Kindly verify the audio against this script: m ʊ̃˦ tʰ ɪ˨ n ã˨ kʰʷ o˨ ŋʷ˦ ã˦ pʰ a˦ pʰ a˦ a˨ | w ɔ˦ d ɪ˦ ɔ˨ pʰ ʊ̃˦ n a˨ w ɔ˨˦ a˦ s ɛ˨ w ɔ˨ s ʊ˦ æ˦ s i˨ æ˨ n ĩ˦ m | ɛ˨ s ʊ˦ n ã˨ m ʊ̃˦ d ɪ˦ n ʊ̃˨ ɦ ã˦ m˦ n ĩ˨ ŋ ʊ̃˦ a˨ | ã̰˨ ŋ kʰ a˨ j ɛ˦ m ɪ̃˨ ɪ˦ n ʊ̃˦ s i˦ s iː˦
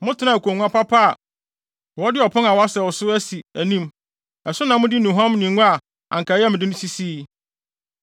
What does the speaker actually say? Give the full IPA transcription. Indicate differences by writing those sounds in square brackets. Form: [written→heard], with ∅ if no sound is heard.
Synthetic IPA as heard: m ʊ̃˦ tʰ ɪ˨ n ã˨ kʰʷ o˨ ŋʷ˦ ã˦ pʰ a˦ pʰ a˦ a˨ | w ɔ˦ d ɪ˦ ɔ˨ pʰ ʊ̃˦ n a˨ w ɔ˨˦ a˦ s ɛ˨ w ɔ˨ s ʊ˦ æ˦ s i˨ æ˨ n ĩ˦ m | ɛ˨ s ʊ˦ n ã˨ m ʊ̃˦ d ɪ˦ n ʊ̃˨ ɦ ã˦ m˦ n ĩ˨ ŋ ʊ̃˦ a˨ | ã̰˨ ŋ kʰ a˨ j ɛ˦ m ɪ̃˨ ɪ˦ n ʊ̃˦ s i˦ s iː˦

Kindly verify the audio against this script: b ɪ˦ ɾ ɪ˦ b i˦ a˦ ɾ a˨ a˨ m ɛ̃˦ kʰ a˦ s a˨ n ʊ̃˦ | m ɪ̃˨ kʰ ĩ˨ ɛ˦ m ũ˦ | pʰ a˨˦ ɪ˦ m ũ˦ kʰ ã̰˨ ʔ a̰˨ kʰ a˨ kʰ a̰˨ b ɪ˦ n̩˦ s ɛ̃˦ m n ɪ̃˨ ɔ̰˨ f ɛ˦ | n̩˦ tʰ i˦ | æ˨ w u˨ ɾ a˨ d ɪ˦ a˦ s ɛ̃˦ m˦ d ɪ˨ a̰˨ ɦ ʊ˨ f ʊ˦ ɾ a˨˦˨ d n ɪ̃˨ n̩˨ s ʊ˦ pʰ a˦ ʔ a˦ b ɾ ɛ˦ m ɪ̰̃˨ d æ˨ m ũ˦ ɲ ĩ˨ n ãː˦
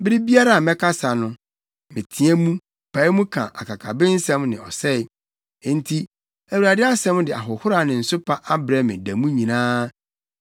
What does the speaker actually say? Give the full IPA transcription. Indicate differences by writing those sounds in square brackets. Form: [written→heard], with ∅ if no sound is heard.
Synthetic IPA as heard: b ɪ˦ ɾ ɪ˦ b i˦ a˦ ɾ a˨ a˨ m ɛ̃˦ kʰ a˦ s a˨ n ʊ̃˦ | m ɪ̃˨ [kʰ→tʰ] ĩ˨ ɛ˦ m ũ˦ | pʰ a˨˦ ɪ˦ m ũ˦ kʰ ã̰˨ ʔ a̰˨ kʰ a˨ kʰ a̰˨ b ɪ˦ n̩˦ s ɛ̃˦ m n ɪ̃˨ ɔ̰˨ [f→s] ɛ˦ | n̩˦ tʰ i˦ | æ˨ w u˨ ɾ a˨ d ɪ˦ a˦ s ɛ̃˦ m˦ d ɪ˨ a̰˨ ɦ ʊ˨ [f→h] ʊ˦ ɾ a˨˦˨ [d→∅] n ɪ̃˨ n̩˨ s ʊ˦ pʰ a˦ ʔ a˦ b ɾ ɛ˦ m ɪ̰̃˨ d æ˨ m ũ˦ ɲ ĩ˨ n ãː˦

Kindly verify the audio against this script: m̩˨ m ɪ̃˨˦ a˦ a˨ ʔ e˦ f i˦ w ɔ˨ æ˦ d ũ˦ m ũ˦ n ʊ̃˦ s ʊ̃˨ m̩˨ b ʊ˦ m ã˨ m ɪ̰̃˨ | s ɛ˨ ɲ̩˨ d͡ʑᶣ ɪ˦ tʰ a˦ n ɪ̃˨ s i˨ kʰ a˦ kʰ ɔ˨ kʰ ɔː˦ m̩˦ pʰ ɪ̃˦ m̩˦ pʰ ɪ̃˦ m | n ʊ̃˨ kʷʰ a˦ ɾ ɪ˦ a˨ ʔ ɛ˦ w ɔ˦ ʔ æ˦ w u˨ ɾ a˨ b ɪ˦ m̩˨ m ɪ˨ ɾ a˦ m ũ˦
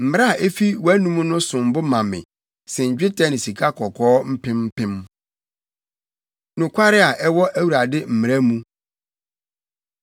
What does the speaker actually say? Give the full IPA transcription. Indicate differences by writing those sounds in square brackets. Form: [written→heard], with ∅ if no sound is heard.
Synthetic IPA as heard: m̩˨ m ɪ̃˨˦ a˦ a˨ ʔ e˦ f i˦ w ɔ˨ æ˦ [d→n] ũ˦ m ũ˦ n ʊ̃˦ s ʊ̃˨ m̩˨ b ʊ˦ m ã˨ m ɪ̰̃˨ | s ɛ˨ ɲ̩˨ d͡ʑᶣ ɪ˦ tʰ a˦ n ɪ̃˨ s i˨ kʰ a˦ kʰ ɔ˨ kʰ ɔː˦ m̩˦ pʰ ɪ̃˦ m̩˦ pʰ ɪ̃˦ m | n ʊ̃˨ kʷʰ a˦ ɾ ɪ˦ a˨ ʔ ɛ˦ w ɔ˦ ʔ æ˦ w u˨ ɾ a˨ [b→d] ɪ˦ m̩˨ m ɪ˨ ɾ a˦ m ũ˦

